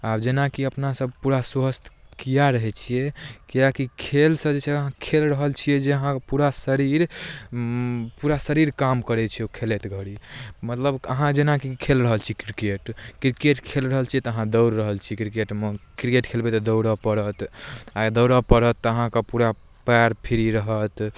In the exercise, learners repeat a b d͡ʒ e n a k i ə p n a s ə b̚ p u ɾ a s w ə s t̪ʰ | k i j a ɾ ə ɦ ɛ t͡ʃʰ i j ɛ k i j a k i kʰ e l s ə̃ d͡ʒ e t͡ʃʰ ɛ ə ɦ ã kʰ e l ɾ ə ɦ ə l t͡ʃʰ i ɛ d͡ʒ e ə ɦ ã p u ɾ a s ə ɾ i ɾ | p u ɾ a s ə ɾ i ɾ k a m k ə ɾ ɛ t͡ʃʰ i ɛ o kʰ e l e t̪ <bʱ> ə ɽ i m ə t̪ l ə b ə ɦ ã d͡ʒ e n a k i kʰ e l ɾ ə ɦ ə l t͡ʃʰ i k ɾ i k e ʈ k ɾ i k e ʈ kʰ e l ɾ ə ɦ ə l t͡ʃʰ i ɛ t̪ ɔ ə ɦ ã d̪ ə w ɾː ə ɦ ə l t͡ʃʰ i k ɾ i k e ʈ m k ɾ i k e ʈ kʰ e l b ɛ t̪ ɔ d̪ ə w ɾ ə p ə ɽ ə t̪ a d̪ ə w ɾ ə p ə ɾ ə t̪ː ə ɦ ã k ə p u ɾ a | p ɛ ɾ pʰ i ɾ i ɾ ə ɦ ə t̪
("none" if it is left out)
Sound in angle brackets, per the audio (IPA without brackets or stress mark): ɡʱ